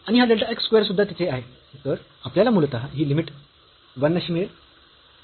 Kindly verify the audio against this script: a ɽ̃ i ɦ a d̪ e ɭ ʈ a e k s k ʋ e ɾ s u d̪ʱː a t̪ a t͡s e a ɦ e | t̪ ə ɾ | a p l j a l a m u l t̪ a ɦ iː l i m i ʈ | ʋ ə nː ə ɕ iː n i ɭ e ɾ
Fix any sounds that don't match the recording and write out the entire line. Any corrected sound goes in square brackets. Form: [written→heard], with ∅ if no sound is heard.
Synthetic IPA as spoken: a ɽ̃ i ɦ a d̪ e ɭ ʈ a e k s k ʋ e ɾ s u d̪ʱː a t̪ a t͡s e a ɦ e | t̪ ə ɾ | a p l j a l a m u l t̪ a ɦ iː l i m i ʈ | ʋ ə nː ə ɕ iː [n→m] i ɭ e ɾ